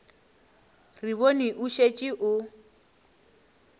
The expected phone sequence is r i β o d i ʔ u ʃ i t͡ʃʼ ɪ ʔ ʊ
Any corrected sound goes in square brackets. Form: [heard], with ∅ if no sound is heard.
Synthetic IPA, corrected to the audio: r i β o [n] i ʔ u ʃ [e] t͡ʃʼ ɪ ʔ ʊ